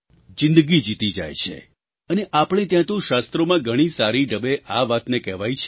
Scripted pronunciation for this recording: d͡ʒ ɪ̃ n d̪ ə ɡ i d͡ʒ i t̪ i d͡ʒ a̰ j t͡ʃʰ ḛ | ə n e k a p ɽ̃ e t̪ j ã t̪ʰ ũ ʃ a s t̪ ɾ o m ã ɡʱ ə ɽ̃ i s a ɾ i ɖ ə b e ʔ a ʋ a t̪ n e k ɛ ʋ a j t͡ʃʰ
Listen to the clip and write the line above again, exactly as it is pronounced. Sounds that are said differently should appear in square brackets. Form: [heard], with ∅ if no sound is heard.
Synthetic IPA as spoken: d͡ʒ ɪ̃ n d̪ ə ɡ i d͡ʒ i t̪ i d͡ʒ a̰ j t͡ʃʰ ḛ | ə n e [ʔ] a p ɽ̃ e t̪ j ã [t̪] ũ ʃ a s t̪ ɾ o m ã ɡʱ ə ɽ̃ i s a ɾ i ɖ ə b e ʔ a ʋ a t̪ n e k ɛ ʋ a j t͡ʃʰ